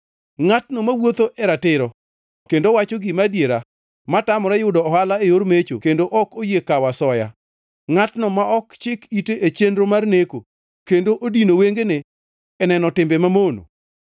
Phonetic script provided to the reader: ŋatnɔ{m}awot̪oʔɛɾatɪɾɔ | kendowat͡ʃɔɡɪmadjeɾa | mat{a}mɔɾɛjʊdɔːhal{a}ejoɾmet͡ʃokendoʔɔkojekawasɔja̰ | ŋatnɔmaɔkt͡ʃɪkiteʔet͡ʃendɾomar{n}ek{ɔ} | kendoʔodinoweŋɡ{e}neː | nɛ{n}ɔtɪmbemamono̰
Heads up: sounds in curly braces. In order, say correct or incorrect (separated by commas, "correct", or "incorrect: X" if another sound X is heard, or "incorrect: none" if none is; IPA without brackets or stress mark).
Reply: correct, correct, correct, correct, incorrect: o, correct, correct